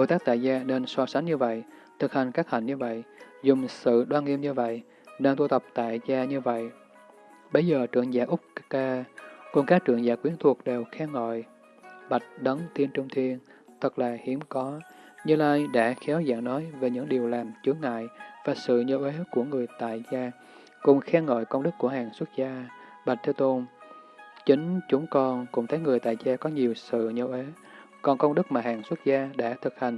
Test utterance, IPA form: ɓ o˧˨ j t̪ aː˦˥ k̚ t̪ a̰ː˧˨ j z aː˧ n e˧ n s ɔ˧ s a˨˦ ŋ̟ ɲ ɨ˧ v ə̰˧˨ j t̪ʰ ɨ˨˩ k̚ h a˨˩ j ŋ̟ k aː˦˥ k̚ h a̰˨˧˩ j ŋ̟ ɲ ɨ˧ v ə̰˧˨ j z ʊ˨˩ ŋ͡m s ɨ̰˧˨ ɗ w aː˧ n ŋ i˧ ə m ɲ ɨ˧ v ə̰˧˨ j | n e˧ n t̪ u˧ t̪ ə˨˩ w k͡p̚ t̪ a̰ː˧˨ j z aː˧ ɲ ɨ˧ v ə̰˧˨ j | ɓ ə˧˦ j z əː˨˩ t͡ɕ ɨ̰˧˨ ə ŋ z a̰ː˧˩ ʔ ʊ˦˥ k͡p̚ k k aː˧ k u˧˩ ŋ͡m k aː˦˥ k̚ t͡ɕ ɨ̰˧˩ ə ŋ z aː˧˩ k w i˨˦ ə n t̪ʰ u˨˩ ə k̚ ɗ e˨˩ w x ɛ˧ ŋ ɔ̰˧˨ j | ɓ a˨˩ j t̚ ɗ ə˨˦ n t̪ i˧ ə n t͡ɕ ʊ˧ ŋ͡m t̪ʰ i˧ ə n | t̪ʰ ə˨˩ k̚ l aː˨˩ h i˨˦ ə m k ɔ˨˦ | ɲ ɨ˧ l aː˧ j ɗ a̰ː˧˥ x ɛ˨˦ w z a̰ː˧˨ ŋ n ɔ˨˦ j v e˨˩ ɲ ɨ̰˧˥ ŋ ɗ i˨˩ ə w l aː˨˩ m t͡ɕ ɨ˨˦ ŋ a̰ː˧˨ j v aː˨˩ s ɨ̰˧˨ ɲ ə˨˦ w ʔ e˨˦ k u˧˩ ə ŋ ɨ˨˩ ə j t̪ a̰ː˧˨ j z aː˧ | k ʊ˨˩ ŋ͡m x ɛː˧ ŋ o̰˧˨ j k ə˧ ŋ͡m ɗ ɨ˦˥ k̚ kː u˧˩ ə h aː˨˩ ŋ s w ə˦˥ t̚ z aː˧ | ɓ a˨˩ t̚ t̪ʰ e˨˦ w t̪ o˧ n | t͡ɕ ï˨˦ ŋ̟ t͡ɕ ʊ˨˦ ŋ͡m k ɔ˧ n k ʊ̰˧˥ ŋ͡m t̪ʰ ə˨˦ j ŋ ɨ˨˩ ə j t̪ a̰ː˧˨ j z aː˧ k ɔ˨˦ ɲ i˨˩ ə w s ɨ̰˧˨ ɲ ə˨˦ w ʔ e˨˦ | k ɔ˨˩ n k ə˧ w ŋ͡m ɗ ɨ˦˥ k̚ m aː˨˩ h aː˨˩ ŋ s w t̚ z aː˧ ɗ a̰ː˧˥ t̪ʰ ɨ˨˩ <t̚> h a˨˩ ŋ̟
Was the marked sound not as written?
yes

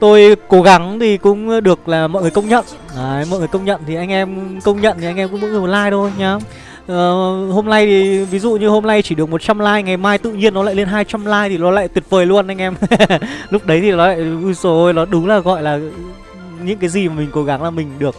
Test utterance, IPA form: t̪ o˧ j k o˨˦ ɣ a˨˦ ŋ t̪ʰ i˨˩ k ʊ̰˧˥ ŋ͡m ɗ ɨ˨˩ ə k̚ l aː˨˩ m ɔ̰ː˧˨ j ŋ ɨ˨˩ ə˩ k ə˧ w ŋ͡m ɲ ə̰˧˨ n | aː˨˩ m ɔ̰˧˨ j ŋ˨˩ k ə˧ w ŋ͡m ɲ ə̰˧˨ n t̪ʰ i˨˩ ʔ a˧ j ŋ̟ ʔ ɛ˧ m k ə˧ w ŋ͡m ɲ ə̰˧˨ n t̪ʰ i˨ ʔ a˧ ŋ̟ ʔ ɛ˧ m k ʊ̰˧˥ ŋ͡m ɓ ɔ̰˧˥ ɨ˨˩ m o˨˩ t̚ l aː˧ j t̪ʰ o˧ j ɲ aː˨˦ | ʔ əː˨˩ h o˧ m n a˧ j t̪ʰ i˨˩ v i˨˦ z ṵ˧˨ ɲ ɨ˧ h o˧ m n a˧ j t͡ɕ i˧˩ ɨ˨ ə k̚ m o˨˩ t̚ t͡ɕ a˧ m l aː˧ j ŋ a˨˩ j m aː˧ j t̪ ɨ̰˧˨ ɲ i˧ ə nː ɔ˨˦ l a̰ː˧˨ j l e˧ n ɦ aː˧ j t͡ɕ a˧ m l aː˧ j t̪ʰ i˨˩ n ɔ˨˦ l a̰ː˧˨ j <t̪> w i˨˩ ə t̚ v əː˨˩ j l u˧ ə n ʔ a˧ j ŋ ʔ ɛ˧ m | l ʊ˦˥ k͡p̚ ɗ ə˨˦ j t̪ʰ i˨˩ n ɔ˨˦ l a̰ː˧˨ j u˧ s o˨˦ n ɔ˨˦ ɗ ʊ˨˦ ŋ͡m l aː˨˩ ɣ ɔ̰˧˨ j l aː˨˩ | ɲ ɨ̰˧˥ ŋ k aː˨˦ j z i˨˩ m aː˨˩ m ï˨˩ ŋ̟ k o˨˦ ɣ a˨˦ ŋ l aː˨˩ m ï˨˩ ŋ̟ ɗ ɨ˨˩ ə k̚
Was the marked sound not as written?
no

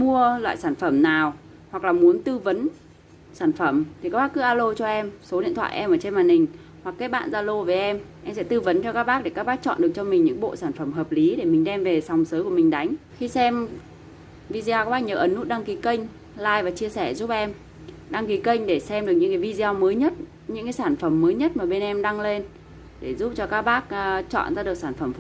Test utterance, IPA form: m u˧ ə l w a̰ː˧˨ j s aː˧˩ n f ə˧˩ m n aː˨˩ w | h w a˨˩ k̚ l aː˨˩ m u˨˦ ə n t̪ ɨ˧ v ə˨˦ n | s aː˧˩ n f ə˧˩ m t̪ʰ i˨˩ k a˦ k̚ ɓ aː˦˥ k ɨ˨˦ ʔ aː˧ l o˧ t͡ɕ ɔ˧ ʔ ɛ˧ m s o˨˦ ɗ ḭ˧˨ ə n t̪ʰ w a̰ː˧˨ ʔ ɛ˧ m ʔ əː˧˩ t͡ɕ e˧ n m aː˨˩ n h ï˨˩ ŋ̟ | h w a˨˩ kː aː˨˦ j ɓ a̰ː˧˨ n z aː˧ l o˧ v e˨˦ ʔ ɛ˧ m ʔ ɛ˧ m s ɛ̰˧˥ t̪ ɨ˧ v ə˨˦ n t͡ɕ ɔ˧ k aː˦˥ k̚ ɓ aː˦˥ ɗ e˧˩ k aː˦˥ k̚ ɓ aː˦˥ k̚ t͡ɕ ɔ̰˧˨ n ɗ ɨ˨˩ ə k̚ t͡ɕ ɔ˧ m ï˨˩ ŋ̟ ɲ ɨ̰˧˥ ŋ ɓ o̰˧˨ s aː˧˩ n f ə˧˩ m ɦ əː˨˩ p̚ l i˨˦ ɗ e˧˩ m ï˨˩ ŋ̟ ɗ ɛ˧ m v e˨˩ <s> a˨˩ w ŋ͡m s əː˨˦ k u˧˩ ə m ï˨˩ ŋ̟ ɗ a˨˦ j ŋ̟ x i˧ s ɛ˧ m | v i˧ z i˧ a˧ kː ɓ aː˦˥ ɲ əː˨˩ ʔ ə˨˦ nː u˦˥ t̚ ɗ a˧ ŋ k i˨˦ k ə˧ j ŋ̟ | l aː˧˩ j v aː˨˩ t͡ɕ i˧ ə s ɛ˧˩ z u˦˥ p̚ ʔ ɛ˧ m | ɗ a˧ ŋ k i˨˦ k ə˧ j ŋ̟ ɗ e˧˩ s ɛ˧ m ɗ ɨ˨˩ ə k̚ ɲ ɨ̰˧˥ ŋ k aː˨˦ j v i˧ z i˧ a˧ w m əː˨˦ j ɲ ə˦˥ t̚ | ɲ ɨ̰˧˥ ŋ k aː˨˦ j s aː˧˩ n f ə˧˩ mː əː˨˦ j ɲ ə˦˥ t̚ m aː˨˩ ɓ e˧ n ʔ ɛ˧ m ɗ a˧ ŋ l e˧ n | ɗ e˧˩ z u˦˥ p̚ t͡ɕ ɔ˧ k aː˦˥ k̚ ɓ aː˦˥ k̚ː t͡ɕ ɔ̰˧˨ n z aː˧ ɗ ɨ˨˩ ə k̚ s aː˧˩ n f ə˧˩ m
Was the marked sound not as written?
no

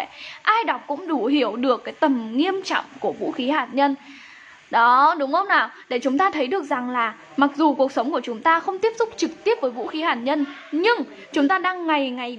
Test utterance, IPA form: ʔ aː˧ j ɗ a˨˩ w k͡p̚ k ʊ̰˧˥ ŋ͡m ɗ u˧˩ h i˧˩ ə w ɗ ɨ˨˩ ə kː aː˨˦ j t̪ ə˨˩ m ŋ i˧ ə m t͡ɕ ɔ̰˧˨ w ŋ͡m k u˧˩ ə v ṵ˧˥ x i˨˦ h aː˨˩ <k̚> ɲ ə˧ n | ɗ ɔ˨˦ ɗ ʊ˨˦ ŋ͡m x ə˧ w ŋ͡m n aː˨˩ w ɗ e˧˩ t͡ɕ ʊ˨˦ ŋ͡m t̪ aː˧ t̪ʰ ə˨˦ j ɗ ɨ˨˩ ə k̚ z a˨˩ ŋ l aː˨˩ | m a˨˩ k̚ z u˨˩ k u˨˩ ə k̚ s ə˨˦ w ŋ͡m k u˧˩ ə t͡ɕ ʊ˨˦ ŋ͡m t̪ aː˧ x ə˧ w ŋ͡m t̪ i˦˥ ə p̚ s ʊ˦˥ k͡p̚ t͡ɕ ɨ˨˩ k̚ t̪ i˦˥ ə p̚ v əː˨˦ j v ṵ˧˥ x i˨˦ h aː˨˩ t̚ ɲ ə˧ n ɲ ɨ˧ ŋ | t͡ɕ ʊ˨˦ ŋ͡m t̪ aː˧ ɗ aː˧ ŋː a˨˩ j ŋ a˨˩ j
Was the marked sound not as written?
yes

